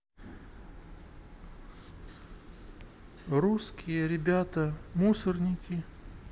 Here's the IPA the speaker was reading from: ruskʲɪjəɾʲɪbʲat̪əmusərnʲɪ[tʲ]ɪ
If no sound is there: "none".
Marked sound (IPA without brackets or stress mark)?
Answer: kʲ